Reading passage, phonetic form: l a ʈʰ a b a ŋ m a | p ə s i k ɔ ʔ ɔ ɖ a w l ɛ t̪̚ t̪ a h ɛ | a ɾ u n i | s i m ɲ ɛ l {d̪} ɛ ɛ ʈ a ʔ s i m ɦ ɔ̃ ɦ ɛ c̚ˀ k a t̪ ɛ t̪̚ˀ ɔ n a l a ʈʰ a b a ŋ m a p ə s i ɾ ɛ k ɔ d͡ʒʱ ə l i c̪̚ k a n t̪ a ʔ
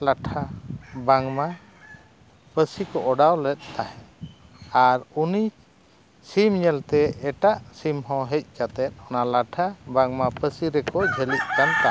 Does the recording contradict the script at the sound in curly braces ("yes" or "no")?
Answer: yes